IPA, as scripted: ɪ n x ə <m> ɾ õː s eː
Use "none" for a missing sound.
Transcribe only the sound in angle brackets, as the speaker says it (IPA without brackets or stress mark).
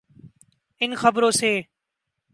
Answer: b